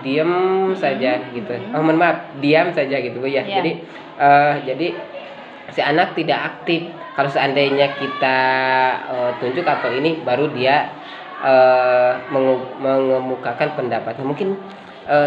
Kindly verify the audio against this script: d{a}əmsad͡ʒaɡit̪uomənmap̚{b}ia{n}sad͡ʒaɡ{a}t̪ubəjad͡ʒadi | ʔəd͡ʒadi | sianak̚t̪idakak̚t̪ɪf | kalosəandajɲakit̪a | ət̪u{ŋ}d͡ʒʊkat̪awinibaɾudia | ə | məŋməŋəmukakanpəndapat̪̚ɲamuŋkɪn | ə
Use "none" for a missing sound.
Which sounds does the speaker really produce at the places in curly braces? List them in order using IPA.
i, d, m, i, ɲ

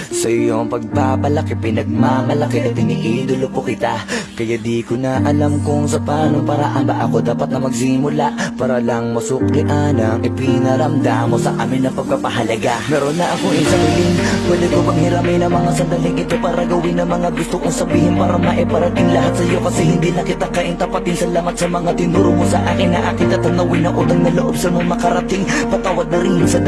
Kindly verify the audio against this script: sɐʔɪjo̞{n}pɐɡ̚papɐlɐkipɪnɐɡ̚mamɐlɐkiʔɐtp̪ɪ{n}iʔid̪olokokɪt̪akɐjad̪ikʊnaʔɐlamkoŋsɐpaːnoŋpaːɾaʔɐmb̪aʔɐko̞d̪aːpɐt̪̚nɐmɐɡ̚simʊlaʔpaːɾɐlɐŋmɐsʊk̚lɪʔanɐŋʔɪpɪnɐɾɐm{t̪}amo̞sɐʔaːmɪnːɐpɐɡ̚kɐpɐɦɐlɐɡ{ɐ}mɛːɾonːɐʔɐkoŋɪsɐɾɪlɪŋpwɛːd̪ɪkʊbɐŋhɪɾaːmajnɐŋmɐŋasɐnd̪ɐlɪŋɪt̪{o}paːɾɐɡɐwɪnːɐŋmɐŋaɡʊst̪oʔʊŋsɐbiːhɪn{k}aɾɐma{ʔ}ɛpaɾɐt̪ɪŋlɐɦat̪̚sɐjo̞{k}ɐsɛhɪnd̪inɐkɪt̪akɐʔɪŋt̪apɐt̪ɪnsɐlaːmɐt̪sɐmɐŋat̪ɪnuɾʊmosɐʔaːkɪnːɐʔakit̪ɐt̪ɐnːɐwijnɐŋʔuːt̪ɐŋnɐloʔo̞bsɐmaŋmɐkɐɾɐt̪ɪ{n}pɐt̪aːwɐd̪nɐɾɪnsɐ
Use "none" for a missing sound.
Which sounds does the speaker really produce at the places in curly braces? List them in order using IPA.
ŋ, n, d̪, a, o, p, ʔ, k, ŋ

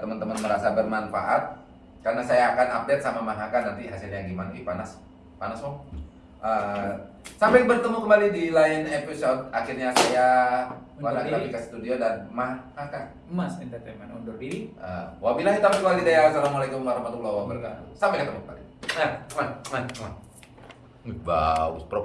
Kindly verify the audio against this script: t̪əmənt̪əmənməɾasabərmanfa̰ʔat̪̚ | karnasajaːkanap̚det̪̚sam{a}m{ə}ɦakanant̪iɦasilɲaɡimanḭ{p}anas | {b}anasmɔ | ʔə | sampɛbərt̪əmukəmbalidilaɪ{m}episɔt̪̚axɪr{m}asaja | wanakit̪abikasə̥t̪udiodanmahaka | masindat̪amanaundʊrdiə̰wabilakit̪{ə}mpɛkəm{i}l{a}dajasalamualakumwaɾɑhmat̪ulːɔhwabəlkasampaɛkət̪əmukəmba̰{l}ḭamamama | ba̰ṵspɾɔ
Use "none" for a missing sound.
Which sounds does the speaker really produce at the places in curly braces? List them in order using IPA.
a, a, p, p, n, ɲ, a, a, i, l

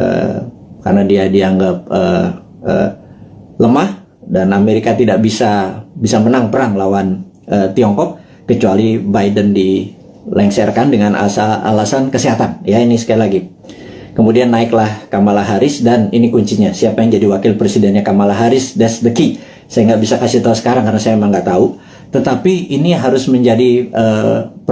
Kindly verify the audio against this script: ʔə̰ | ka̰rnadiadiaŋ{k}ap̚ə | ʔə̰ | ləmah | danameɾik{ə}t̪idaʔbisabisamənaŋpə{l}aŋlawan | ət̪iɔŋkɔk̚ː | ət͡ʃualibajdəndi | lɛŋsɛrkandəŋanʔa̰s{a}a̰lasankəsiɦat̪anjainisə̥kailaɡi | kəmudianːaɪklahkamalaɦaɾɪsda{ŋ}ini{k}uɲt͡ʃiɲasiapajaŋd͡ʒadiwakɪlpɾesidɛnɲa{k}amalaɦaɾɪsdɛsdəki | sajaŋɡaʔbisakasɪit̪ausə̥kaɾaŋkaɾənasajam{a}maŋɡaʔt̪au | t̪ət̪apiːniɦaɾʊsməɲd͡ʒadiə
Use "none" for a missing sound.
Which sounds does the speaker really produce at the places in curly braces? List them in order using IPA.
ɡ, a, ɾ, a, n, k, k, e

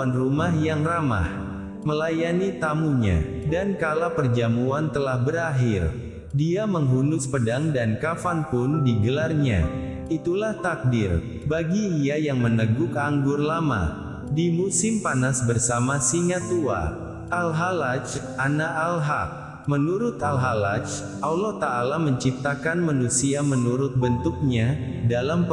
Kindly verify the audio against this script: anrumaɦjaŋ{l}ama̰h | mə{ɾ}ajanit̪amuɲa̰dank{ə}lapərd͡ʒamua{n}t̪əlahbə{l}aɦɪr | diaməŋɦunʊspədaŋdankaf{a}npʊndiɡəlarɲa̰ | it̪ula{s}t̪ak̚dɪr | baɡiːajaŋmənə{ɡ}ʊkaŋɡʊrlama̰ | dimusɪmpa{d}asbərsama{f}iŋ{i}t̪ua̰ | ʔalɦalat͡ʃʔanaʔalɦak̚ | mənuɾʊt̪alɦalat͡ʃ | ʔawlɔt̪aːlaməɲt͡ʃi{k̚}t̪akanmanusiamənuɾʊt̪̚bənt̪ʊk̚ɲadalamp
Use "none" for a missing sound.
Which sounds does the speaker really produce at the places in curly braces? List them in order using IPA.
r, l, a, n, ɾ, a, h, ɡ, n, s, a, p̚

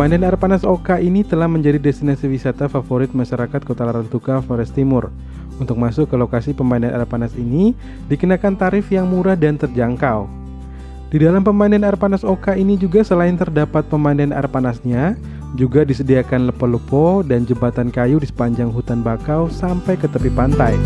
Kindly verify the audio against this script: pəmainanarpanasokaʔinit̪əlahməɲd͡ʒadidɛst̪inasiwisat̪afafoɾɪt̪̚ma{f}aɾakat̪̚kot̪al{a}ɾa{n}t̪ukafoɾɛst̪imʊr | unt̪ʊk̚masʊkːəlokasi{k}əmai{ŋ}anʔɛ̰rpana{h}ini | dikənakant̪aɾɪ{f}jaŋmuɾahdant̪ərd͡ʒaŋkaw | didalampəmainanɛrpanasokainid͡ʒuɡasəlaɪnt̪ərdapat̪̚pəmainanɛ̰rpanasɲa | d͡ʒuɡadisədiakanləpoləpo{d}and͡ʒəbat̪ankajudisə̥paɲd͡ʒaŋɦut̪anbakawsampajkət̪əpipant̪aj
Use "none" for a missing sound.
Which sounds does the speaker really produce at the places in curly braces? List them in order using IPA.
ʃ, a, n, p, n, s, f, d

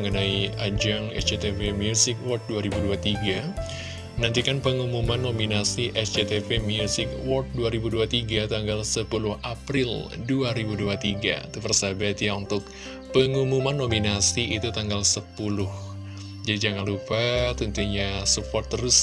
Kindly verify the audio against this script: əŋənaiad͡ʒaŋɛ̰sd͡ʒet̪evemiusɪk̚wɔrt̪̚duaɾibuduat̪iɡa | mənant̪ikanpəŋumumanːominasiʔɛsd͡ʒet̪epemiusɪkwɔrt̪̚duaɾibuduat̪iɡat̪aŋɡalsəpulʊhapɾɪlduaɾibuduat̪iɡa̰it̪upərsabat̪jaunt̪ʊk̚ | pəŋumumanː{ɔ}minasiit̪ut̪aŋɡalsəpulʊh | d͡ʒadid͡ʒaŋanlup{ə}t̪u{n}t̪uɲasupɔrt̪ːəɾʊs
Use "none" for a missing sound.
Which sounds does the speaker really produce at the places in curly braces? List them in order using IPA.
o, a, n

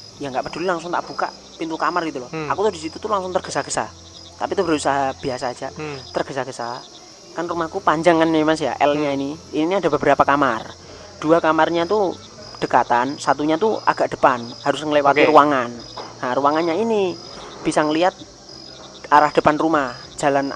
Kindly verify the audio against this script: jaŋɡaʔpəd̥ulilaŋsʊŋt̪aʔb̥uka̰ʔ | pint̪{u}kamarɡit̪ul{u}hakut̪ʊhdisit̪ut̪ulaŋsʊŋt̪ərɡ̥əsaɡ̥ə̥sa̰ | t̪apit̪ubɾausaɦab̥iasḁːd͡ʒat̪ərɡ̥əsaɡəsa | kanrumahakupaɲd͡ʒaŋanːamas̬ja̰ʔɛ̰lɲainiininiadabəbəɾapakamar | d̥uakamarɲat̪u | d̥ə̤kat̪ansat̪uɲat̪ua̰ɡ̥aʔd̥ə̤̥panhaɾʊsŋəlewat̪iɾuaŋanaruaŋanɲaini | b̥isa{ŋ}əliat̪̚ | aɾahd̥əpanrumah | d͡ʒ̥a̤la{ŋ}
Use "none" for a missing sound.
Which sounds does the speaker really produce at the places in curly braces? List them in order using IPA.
u, ɔ, ŋ, n

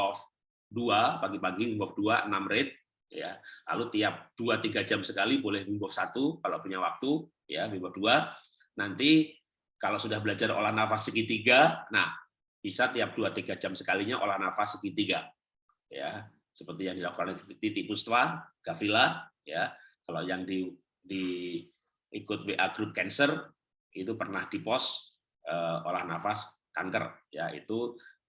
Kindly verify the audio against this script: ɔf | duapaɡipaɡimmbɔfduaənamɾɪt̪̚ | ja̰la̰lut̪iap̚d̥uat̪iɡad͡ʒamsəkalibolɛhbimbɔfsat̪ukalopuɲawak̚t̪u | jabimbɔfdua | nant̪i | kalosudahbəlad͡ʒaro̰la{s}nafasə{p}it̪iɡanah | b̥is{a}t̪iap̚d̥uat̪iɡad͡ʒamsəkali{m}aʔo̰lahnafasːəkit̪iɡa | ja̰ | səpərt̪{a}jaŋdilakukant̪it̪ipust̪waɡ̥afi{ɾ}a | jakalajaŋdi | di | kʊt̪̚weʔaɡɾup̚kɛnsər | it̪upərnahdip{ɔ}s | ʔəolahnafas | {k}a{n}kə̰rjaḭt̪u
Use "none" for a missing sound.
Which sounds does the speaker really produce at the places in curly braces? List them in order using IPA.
h, k, a, ɲ, i, l, ɔ, k, ŋ

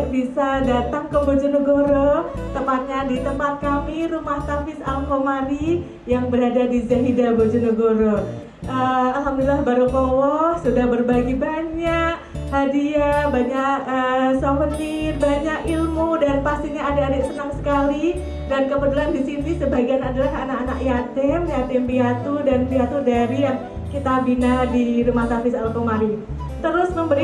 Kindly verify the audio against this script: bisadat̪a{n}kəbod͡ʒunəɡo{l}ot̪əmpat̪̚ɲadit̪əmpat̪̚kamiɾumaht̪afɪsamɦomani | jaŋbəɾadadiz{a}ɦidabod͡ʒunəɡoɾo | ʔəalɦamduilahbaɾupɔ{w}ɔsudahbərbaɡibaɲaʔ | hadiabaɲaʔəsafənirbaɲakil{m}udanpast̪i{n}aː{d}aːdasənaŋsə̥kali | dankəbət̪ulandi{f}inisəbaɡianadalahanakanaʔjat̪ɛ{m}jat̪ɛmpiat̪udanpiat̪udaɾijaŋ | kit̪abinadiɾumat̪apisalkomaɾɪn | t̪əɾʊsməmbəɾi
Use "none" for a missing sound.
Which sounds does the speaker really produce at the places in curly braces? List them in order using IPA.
ŋ, ɾ, a, w, m, ɲ, d, s, m

